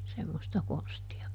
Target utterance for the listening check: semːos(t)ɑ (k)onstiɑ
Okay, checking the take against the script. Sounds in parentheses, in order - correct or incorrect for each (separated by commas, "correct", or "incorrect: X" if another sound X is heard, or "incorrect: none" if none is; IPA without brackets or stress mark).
correct, correct